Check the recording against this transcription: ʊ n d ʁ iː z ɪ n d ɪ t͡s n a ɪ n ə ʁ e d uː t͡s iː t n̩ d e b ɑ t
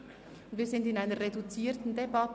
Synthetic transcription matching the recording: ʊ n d v iː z ɪ n d ɪ n a ɪ n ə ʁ e d u t͡s iː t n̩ d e b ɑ t